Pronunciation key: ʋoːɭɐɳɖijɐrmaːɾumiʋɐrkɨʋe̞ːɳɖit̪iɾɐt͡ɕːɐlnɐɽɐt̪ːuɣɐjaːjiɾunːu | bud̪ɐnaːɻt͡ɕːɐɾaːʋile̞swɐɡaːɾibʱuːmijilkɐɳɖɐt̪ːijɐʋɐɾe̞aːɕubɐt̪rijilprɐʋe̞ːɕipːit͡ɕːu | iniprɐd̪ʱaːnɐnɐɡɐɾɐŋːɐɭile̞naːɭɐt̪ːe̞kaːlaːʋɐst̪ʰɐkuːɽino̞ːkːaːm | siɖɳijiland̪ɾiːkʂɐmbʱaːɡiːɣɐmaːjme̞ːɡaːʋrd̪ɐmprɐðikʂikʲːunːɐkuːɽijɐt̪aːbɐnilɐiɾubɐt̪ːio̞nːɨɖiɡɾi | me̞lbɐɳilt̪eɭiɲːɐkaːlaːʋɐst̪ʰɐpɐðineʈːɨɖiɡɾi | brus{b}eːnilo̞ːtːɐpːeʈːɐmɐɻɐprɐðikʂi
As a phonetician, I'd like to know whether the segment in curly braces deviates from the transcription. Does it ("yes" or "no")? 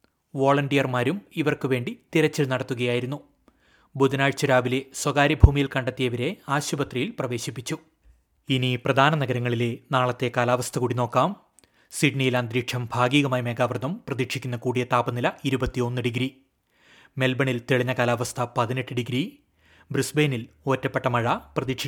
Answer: no